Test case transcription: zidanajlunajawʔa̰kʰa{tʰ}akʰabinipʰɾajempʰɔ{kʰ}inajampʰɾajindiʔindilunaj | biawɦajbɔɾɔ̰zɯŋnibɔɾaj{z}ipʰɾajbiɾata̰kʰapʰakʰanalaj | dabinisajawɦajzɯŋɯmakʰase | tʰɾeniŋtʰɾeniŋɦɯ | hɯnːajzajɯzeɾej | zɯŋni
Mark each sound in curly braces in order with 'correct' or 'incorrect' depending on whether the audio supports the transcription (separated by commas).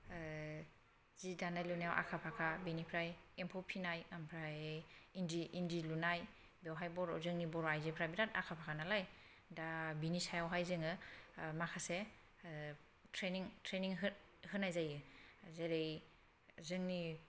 incorrect, incorrect, correct